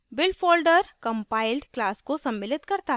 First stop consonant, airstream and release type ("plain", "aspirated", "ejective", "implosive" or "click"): plain